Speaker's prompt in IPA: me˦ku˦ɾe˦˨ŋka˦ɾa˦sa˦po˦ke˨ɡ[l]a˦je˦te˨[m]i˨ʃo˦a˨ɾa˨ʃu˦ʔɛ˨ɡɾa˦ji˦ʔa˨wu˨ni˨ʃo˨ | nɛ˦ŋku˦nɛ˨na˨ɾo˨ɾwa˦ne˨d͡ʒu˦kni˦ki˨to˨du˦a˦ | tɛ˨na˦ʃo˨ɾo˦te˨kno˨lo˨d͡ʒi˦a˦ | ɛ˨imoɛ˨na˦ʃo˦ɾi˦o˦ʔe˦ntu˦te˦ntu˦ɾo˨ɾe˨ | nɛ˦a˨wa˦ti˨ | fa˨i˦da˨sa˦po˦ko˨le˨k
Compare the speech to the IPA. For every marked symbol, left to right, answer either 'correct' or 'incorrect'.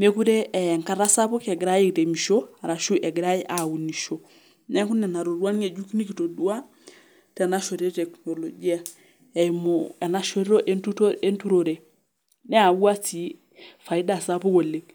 incorrect, correct

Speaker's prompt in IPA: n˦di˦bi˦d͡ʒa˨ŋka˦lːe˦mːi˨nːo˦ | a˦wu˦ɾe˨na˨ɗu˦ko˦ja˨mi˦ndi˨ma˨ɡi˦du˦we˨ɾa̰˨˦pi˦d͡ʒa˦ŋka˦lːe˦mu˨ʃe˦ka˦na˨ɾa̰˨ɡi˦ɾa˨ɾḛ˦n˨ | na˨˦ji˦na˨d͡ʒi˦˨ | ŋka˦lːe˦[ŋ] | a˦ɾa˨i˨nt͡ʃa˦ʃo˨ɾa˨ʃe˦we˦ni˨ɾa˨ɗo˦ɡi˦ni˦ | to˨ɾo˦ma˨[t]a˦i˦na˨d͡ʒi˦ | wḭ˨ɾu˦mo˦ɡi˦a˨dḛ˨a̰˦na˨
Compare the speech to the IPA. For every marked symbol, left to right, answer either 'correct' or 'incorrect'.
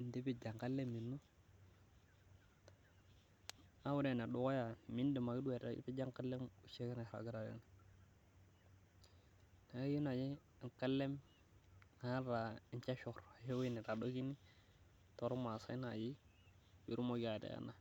incorrect, incorrect

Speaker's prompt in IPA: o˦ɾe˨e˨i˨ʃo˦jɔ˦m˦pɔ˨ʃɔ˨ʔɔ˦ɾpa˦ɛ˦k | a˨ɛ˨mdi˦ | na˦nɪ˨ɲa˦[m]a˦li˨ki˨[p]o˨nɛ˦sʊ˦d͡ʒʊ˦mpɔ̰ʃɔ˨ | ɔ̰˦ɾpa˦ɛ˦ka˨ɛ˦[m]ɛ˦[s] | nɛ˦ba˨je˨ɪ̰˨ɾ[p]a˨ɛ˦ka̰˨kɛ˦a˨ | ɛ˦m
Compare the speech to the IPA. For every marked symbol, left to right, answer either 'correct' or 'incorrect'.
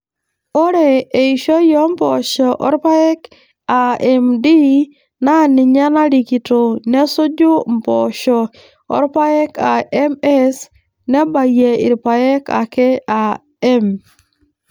incorrect, incorrect, correct, correct, correct

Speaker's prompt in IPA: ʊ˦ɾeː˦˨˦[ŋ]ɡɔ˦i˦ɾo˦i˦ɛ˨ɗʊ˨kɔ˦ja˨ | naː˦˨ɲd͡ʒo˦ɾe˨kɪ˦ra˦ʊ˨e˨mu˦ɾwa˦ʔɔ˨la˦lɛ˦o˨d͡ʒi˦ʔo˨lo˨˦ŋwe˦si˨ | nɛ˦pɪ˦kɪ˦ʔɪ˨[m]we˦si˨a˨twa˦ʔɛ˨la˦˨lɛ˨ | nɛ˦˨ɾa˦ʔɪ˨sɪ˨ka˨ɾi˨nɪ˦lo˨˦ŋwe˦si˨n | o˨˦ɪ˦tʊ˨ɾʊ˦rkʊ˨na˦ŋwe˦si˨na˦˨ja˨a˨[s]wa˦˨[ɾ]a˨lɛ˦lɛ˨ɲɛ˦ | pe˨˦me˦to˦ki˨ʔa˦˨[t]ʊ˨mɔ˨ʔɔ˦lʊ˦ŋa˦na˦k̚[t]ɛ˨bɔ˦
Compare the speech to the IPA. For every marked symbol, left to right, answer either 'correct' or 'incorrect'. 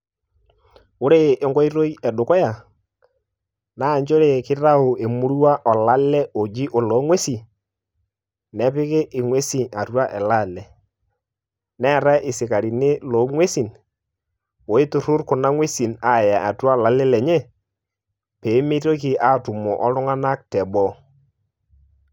correct, incorrect, incorrect, incorrect, correct, correct

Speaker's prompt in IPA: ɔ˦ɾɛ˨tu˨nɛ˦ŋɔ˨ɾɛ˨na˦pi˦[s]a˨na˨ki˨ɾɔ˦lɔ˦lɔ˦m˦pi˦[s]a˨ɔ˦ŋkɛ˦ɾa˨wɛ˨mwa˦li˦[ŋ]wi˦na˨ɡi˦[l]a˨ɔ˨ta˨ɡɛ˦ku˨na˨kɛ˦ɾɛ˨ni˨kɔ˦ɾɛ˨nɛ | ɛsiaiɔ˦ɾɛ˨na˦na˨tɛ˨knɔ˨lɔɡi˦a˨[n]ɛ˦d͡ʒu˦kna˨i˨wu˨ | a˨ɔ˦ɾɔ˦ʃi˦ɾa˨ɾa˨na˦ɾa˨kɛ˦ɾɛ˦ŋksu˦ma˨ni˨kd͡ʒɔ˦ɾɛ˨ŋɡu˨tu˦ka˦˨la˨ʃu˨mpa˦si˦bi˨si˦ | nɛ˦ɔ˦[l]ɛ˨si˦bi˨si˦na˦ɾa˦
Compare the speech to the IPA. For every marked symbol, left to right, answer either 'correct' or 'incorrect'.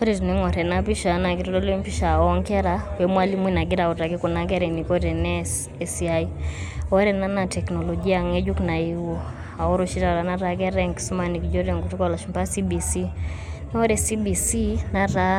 incorrect, incorrect, incorrect, incorrect, incorrect, incorrect

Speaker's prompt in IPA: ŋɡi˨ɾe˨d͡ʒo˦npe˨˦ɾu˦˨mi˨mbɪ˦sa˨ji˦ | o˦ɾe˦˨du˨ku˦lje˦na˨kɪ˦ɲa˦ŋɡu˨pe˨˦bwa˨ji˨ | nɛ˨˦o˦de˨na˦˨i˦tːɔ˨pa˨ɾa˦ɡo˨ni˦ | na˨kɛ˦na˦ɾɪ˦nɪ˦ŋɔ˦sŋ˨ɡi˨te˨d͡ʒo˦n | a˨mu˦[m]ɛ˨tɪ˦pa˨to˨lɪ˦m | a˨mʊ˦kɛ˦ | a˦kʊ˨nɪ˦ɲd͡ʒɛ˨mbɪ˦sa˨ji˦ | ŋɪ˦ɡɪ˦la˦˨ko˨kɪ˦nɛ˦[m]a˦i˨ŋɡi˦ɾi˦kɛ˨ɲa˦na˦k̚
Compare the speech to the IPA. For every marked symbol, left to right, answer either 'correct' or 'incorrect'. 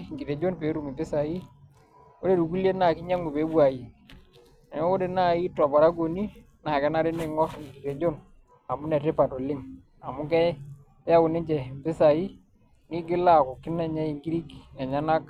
incorrect, incorrect

